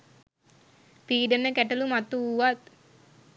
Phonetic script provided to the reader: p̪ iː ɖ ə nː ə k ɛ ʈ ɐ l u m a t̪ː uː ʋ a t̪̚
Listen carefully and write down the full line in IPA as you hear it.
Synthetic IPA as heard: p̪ iː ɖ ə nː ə k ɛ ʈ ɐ l u m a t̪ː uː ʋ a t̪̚